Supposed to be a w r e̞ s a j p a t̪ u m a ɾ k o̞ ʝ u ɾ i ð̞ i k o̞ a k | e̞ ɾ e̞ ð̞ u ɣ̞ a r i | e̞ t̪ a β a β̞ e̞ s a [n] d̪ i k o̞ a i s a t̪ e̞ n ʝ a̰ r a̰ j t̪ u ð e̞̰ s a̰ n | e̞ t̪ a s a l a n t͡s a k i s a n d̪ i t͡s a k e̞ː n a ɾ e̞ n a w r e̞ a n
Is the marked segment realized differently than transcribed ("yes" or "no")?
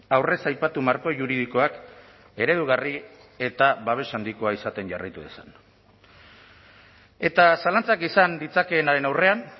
no